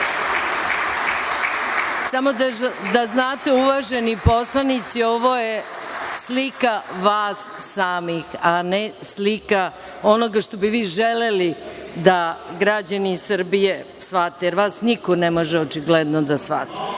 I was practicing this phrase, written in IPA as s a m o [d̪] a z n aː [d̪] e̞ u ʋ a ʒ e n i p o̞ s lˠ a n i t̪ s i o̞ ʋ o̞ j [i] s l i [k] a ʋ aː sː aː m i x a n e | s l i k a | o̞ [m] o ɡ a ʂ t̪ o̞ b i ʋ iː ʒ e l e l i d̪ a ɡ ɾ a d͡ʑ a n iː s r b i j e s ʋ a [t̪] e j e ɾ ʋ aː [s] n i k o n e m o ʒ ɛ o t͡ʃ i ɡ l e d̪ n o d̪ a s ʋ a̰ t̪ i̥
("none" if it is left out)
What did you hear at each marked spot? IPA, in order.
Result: d̪, t̪, e, k, n, t̪, s

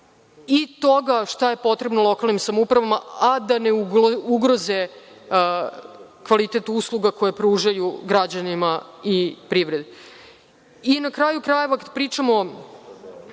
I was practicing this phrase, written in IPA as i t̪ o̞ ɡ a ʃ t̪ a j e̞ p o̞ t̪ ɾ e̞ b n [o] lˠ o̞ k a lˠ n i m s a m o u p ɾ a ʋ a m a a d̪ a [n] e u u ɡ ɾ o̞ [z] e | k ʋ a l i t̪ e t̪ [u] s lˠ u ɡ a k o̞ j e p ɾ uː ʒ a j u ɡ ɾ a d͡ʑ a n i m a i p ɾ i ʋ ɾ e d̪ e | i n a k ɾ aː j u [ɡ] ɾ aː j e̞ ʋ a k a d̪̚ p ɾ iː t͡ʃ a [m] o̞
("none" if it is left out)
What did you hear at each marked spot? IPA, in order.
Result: o, n, z, u, k, m

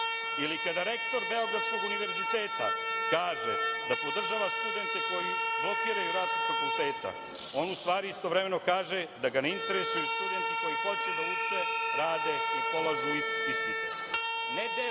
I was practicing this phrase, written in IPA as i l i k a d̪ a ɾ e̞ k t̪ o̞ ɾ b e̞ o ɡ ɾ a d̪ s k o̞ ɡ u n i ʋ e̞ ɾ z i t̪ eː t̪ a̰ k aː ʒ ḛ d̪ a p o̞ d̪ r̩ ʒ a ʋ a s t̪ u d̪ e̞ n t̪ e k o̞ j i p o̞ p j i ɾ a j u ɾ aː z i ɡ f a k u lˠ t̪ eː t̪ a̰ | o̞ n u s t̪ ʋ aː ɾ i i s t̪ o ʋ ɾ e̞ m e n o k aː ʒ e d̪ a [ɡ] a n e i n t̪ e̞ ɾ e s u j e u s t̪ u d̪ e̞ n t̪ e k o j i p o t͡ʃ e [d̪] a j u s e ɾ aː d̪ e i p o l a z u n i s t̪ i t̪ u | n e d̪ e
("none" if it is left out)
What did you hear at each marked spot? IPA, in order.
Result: ɡ, d̪

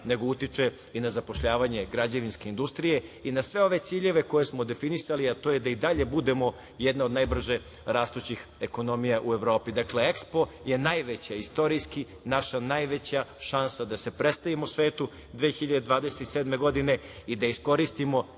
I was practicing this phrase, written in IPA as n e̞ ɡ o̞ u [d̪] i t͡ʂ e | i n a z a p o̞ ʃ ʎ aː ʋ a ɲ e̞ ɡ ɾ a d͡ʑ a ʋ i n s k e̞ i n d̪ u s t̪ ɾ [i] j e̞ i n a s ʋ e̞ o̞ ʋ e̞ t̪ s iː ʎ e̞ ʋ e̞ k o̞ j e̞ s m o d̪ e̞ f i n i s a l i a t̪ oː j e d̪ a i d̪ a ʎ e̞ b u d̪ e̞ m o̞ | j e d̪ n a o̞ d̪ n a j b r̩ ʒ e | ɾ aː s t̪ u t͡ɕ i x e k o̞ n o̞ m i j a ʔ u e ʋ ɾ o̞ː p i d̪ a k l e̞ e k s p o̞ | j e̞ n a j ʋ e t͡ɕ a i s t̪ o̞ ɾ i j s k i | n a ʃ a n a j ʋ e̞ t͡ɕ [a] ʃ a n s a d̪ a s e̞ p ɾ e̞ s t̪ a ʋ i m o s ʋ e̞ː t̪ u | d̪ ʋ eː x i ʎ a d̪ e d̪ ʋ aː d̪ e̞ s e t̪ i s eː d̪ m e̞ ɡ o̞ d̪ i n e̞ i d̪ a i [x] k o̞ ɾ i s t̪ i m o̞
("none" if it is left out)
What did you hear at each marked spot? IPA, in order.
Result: t̪, i, a, s

